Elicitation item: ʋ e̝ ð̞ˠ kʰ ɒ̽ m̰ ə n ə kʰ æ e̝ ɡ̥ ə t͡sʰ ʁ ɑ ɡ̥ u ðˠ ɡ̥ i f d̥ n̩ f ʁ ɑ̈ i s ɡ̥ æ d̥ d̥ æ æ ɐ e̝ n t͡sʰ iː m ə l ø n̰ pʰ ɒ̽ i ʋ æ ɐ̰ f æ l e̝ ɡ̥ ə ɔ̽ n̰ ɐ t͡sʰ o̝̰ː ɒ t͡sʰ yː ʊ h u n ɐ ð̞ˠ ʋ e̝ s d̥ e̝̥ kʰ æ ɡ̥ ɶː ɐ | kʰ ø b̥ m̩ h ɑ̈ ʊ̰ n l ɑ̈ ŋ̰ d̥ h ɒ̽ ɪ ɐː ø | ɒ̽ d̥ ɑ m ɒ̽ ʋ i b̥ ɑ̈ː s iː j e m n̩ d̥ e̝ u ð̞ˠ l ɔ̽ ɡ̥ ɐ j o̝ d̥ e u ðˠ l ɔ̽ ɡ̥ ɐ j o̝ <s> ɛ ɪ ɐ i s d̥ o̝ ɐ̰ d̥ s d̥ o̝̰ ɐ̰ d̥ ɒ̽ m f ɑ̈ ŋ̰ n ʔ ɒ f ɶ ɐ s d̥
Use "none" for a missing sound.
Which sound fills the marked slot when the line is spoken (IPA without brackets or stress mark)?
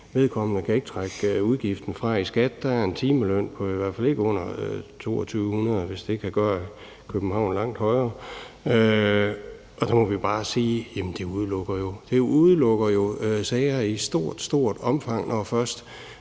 s